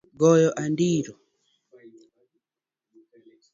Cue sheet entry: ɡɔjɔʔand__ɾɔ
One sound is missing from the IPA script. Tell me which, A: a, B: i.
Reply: B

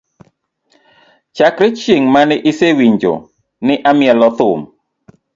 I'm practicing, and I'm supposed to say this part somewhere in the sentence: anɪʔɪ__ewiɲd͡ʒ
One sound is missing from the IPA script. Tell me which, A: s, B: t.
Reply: A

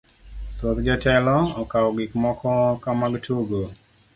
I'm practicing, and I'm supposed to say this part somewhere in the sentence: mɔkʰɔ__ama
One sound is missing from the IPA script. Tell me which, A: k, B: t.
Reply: A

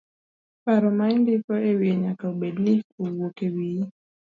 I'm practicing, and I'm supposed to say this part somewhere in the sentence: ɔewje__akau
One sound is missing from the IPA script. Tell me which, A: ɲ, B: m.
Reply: A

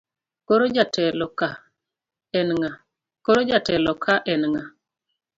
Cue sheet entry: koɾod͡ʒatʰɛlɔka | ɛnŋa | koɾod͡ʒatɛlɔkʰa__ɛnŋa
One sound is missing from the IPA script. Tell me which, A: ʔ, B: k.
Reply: A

